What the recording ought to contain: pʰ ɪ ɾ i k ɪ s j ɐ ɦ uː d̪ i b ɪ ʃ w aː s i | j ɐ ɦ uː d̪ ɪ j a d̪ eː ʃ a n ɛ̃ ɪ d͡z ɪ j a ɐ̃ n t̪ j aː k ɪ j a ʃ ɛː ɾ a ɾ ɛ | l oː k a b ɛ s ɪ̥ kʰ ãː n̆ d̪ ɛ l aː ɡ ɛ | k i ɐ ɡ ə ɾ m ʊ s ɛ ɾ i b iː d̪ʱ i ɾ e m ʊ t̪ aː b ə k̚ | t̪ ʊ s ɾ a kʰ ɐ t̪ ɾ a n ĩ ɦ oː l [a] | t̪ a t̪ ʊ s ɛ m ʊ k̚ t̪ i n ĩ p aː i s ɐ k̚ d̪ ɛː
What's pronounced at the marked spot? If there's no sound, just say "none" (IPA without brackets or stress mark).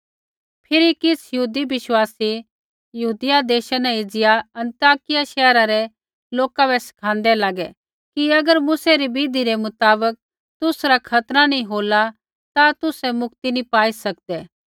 a